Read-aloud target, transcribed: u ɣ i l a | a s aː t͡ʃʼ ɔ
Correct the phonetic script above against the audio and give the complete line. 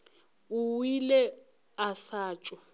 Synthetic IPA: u w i l ɛ | a s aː t͡ʃʼ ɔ